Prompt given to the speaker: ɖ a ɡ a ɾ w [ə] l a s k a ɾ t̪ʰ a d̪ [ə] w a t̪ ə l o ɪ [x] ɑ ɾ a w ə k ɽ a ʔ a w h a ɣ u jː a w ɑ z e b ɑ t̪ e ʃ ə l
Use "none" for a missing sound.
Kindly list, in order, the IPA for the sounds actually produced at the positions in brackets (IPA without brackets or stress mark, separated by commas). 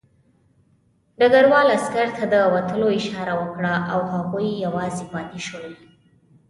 ɑ, ə, ʃ